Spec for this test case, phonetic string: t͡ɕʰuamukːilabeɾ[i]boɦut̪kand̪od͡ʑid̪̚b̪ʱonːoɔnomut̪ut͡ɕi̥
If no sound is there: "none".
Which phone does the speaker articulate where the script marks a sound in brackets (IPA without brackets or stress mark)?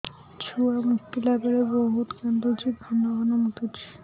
e